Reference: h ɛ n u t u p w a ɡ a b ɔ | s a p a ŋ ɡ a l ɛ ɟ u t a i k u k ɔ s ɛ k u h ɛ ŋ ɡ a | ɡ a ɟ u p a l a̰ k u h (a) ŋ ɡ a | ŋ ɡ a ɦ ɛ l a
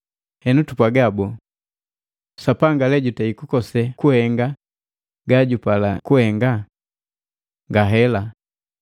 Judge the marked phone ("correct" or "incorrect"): incorrect